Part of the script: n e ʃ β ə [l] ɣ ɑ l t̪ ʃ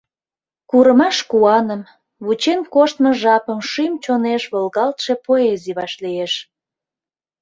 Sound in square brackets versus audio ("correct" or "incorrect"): correct